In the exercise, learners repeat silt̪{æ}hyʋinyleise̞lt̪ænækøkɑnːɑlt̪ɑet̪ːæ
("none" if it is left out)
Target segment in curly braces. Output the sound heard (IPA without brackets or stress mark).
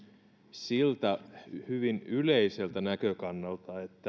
æ